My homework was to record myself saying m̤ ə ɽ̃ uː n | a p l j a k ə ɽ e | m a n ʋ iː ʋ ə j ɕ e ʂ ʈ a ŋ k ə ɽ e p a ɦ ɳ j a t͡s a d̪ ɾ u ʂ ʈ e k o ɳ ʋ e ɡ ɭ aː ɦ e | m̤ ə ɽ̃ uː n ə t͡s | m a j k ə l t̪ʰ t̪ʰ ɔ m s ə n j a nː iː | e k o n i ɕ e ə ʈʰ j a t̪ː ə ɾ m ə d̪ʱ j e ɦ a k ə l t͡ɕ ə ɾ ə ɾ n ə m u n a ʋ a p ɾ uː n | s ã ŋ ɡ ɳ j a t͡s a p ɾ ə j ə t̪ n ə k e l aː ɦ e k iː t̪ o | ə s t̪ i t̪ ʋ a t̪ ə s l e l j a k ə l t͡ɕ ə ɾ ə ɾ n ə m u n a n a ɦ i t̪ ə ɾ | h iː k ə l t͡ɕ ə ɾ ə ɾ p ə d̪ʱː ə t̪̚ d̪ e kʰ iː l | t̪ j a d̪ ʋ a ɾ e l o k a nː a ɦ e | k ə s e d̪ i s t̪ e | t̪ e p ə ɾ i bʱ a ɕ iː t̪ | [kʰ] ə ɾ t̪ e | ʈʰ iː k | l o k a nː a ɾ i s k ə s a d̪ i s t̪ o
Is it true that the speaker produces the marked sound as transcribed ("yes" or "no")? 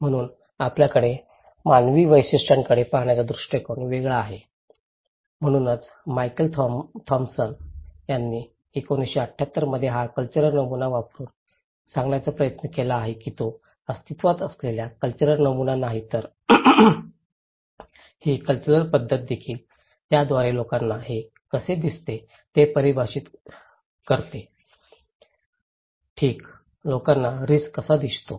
no